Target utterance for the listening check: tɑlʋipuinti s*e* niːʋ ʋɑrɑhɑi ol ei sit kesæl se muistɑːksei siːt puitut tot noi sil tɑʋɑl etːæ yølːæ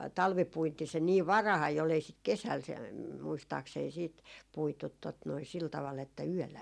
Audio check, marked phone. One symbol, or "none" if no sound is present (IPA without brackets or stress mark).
e